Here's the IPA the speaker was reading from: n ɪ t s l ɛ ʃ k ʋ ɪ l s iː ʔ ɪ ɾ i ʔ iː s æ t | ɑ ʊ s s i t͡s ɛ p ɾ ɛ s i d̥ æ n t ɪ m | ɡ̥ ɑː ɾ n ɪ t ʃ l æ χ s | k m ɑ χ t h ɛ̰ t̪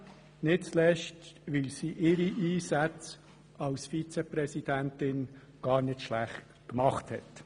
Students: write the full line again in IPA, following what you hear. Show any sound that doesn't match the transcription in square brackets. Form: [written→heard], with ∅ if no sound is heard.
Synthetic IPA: n ɪ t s l ɛ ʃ [k→t] ʋ ɪ l s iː ʔ ɪ ɾ i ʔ iː s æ [t→t͡s] | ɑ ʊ s [s→f] i t͡s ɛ p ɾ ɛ s i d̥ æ n t ɪ [m→n] | ɡ̥ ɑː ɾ n ɪ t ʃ l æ χ [s→t] | k m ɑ χ t h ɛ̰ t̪